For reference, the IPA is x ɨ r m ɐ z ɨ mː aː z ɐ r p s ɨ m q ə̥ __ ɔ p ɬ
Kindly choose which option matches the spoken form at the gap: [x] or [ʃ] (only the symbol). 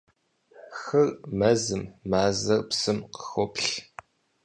x